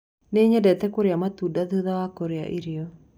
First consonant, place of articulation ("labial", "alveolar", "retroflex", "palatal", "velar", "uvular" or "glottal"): alveolar